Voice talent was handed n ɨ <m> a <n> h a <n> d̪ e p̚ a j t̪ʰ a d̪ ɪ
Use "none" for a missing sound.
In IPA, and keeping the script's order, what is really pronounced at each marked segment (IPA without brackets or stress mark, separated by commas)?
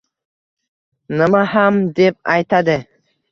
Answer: m, none, m